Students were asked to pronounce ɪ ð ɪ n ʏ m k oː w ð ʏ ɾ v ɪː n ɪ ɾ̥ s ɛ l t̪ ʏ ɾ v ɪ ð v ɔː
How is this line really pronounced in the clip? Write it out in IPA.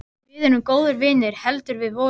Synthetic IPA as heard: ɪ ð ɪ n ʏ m k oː w ð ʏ ɾ v ɪː n ɪ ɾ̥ h ɛ l t̪ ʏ ɾ v ɪ ð v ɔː